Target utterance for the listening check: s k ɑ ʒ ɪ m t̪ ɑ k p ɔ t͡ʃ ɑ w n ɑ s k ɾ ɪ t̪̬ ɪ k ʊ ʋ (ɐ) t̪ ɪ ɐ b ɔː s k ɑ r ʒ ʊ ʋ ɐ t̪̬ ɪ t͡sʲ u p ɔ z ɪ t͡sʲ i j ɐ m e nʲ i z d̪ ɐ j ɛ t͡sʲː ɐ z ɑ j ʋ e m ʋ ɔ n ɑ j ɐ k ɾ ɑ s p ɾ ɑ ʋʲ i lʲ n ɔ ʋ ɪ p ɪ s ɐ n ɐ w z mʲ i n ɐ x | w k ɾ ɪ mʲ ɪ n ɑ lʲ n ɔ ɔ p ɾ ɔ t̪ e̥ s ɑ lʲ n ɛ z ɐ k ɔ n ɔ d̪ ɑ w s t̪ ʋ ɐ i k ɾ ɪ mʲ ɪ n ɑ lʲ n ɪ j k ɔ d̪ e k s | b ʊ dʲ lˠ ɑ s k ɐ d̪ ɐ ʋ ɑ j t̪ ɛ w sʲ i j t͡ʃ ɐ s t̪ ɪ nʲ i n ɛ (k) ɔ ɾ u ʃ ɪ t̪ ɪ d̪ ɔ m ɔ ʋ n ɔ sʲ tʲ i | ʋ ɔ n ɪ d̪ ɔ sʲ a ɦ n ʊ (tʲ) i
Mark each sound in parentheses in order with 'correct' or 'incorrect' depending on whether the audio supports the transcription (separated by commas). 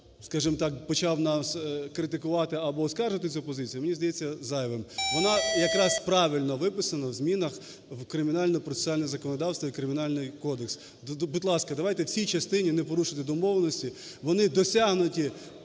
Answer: incorrect, incorrect, correct